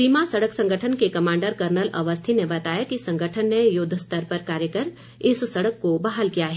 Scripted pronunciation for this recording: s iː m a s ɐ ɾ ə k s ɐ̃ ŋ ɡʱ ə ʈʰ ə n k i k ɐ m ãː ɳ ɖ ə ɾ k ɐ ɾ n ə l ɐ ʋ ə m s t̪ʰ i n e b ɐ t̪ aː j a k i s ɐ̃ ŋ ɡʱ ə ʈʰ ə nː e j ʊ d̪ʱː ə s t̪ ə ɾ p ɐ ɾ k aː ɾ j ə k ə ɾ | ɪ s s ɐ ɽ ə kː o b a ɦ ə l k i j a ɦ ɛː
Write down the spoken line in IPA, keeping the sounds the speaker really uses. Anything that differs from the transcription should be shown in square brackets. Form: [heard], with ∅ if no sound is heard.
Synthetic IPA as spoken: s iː m a s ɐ [ɽ] ə k s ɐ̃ ŋ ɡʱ ə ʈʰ ə n k [e] k ɐ m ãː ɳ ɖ ə ɾ k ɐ ɾ n ə l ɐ ʋ ə [∅] s t̪ʰ i n e b ɐ t̪ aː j a k i s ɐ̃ ŋ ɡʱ ə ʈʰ ə nː e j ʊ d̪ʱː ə s t̪ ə ɾ p ɐ ɾ k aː ɾ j ə k ə ɾ | ɪ s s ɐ ɽ ə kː o b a ɦ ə l k i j a ɦ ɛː